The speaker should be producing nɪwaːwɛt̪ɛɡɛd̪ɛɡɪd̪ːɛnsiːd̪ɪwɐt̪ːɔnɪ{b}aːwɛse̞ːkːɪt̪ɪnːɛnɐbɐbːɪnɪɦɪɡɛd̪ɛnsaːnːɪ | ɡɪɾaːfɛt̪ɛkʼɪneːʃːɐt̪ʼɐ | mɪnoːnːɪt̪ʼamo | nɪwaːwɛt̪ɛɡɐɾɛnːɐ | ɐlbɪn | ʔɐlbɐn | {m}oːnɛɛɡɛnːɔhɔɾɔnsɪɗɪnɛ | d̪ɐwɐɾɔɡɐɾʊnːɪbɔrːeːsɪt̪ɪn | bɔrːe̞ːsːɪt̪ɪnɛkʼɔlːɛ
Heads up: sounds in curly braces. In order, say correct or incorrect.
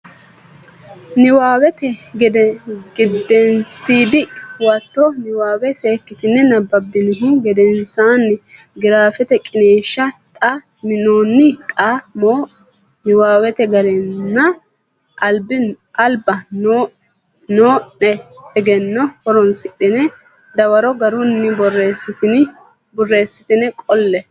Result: incorrect: w, incorrect: n

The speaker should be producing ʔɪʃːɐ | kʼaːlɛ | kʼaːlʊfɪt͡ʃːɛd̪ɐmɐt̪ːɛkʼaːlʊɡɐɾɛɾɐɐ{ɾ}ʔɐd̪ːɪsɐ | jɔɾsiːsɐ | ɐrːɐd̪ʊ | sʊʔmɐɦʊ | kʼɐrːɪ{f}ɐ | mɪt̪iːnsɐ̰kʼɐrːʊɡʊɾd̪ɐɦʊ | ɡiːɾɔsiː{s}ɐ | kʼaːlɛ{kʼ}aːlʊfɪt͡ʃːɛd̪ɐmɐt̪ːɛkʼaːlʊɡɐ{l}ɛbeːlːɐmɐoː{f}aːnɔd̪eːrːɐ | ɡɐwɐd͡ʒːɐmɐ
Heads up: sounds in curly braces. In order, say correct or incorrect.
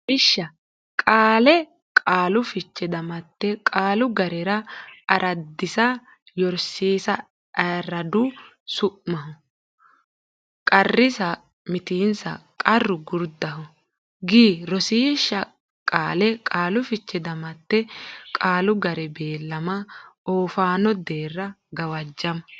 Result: correct, incorrect: s, incorrect: ʃ, correct, incorrect: ɾ, correct

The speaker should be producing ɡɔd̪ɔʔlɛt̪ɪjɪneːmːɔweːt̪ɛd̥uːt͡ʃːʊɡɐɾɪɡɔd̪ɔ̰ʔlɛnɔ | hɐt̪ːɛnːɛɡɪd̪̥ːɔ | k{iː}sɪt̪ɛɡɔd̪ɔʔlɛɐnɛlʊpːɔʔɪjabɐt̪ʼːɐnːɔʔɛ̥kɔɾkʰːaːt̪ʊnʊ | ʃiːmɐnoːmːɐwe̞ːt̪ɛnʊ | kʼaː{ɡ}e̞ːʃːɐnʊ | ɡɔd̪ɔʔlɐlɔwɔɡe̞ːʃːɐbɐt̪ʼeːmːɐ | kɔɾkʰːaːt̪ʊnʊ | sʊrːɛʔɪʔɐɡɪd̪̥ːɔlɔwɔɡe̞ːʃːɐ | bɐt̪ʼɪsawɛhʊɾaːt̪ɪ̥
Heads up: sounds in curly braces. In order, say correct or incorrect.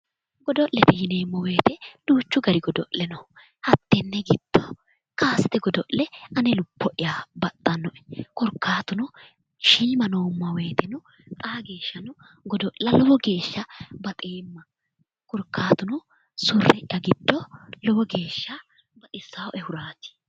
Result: incorrect: aː, correct

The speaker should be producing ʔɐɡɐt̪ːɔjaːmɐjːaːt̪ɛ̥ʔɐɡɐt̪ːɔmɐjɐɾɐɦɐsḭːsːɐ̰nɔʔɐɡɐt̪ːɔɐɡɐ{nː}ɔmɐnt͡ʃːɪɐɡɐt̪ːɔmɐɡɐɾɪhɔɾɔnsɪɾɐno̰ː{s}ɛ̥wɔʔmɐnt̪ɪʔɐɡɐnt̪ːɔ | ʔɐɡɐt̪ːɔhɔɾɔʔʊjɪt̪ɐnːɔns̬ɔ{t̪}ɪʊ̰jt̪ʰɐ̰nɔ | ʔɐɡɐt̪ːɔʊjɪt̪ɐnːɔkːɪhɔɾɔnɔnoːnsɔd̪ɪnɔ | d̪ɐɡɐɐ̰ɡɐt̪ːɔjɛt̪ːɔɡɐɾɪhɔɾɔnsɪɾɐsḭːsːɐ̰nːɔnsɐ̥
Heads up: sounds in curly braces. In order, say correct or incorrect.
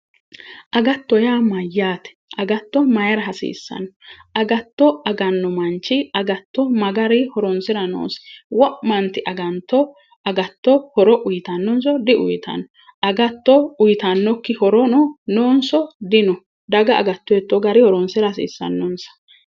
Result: correct, correct, incorrect: d̪

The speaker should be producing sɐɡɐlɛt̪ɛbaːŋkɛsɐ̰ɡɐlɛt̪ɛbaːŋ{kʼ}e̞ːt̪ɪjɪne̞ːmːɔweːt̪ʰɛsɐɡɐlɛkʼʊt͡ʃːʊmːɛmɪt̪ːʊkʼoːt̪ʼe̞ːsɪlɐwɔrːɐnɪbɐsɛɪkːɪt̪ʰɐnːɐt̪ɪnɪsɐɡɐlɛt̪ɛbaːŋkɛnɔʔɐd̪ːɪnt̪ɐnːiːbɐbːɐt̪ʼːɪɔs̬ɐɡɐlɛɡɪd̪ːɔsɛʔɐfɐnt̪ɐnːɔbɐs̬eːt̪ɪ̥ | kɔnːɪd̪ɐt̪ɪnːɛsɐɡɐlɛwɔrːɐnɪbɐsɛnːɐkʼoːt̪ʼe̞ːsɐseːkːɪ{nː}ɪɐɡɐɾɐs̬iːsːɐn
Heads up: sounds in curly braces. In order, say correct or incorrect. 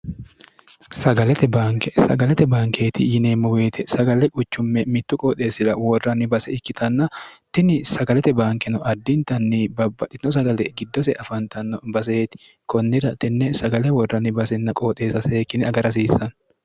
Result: incorrect: k, incorrect: n

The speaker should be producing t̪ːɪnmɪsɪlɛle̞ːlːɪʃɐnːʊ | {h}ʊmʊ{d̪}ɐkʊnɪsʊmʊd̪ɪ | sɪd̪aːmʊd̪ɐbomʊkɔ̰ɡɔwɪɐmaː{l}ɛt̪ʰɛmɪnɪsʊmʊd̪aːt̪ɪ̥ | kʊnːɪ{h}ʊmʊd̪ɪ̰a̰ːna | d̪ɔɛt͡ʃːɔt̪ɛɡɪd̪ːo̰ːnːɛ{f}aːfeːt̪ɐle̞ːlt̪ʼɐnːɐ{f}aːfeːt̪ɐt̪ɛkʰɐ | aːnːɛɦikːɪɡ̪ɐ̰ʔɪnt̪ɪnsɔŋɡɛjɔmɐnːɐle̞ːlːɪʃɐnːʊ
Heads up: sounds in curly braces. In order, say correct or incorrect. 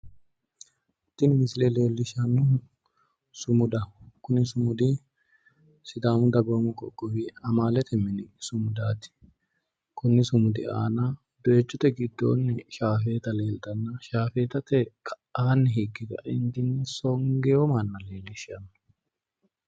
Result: incorrect: s, correct, correct, incorrect: s, incorrect: ʃ, incorrect: ʃ

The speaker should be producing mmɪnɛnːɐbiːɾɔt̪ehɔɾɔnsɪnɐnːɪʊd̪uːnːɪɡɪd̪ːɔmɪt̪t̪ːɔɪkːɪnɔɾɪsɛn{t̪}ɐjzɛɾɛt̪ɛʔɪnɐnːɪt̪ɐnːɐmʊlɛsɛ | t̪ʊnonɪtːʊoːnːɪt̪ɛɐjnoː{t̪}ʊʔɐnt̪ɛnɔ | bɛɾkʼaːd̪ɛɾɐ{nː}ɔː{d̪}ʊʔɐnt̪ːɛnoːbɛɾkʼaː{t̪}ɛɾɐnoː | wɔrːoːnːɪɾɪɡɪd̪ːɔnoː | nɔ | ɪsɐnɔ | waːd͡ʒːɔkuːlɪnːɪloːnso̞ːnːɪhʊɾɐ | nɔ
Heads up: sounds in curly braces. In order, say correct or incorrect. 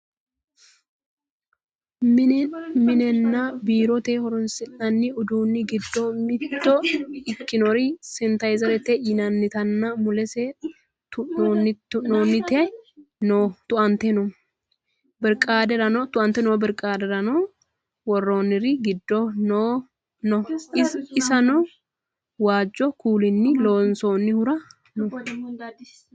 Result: correct, correct, incorrect: n, incorrect: t̪, incorrect: d̪

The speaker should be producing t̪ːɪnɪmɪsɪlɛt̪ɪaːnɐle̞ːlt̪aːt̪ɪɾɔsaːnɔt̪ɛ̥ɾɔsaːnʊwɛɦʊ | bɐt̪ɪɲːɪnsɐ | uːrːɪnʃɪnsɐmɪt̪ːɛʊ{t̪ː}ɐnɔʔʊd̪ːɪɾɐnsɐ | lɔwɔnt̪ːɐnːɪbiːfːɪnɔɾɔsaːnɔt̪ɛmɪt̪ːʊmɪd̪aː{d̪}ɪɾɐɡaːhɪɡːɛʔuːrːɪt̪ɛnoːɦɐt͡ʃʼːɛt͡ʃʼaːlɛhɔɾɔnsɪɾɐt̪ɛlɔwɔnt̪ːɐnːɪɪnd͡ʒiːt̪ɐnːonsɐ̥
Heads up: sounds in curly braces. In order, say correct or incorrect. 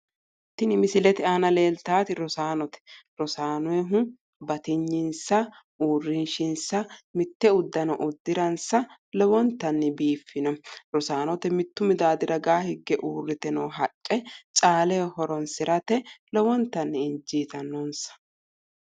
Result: incorrect: d̪ː, correct

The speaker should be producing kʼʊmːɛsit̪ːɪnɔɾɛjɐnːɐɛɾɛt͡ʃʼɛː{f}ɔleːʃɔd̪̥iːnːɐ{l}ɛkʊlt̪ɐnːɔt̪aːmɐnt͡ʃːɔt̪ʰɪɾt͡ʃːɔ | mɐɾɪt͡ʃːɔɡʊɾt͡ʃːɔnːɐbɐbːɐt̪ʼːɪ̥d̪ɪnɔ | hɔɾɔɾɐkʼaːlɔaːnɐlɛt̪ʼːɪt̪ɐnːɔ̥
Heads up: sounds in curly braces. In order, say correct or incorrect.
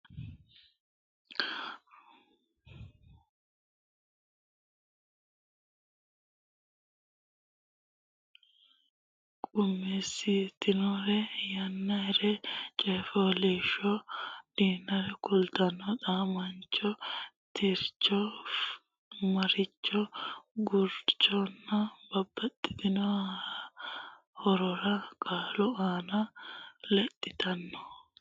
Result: correct, incorrect: ɾ

